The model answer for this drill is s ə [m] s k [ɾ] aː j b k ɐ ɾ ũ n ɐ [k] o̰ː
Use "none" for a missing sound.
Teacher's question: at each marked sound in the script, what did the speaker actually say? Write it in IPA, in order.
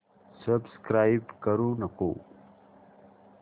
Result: b, ɾ, k

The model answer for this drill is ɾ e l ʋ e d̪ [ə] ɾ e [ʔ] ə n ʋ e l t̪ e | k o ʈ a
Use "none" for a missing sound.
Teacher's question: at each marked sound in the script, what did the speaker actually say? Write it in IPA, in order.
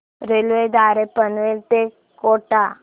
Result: a, p

